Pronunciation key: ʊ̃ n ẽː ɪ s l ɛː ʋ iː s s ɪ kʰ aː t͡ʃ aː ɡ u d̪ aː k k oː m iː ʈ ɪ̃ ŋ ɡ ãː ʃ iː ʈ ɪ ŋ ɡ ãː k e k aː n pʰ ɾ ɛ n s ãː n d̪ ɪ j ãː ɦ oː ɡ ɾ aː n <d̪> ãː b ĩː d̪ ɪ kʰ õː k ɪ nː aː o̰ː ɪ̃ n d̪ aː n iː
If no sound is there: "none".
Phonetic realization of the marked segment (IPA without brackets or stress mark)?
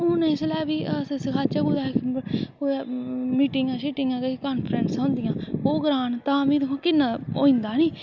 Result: t̪